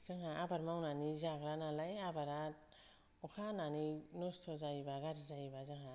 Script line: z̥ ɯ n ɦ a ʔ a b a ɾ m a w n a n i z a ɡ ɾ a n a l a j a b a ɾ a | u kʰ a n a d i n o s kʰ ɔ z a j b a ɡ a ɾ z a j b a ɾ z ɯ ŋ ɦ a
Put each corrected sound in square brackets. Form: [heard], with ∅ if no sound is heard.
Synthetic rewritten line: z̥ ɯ [ŋ] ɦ a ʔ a b a ɾ m a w n a n i z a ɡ ɾ a n a l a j a b a ɾ a | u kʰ a n a [n] i n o s [tʰ] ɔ z a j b a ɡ a ɾ z a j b a [∅] z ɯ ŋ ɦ a